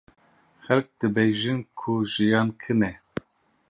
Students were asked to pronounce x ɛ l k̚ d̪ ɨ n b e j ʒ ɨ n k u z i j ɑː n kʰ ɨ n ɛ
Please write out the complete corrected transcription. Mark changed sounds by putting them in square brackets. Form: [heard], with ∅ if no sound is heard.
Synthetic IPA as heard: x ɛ l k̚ d̪ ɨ [∅] b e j ʒ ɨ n [kʰ] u [ʒ] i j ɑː n kʰ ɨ n ɛ